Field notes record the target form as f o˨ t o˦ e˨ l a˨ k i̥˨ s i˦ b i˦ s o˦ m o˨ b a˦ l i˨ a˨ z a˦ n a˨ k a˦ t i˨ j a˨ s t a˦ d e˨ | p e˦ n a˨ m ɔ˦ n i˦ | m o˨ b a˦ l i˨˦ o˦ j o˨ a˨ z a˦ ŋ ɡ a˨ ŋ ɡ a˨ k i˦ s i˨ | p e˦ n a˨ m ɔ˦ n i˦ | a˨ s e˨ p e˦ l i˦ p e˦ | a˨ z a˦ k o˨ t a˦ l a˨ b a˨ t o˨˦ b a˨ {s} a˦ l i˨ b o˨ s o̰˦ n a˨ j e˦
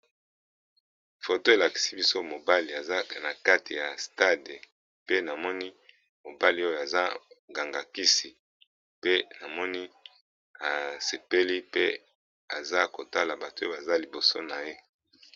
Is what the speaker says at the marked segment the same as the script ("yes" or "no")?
no